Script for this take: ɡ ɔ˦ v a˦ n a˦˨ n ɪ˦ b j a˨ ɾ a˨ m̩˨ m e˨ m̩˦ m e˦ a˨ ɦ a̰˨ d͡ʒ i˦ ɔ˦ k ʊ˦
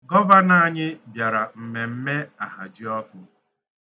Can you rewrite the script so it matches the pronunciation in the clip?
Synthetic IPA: ɡ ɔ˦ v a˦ n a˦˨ ɲ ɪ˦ b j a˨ ɾ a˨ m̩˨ m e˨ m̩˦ m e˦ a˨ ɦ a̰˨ d͡ʒ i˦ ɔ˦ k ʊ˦